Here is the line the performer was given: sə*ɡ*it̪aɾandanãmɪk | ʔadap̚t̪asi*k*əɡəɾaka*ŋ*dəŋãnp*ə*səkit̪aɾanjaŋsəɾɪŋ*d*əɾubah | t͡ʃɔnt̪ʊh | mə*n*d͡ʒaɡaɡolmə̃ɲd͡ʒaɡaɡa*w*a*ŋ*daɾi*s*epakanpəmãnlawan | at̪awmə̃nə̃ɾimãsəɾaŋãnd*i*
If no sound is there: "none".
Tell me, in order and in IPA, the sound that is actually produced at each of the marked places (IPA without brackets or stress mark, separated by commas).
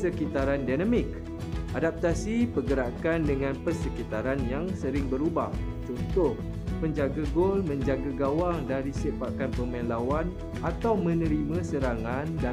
k, p, n, ə, b, ɲ, w, ŋ, s, a